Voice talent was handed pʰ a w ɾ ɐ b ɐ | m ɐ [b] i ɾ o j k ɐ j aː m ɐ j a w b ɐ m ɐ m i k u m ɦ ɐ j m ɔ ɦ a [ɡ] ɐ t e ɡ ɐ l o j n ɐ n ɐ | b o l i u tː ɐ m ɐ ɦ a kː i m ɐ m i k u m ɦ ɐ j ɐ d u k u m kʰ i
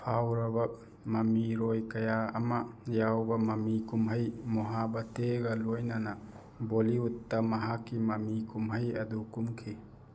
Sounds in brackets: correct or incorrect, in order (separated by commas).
incorrect, incorrect